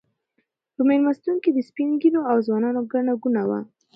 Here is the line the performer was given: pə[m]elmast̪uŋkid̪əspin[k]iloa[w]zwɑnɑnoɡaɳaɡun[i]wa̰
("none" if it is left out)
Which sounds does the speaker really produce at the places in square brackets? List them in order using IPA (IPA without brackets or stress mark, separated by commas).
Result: m, ɡ, w, a